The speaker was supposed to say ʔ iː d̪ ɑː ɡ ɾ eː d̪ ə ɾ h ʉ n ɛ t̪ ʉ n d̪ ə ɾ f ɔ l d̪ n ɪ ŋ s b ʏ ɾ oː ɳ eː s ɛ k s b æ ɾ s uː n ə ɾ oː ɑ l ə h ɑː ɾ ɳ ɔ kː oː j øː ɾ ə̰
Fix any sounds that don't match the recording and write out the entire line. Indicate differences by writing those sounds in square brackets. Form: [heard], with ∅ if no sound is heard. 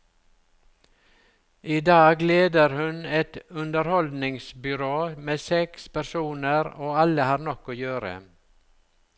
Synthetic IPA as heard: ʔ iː d̪ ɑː ɡ [l] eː d̪ ə ɾ h ʉ n ɛ t̪ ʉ n d̪ ə ɾ [h] ɔ l d̪ n ɪ ŋ s b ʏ ɾ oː [m] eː s ɛ k s [p] æ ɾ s uː n ə ɾ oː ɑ l ə h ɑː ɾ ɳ ɔ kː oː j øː ɾ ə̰